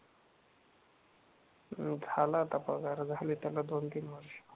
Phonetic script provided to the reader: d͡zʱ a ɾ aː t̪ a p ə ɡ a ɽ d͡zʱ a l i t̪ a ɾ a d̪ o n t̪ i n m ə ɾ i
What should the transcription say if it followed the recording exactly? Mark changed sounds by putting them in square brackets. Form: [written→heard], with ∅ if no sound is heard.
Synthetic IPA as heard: d͡zʱ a [ɾ→l] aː t̪ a p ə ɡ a [ɽ→ɾ] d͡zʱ a l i t̪ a [ɾ→l] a d̪ o n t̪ i n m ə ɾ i